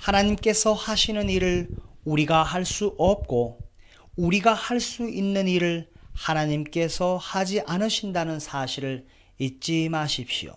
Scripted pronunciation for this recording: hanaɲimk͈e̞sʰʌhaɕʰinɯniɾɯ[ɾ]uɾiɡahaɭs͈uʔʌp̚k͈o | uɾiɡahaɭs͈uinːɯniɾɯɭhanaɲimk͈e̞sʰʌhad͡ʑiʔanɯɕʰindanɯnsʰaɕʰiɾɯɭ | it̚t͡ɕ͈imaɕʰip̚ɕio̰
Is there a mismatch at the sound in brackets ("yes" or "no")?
yes